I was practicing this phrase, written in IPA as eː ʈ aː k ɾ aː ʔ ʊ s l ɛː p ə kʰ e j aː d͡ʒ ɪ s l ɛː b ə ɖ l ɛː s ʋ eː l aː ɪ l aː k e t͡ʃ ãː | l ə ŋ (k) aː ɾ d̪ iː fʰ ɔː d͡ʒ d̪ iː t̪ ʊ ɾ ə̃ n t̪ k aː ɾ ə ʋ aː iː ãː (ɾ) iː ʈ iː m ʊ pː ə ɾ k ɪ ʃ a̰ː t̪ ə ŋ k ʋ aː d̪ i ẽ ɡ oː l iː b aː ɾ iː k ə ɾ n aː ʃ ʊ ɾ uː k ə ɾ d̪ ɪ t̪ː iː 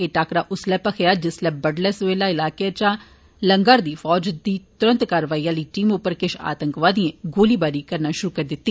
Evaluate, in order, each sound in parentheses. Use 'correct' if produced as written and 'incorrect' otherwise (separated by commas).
incorrect, incorrect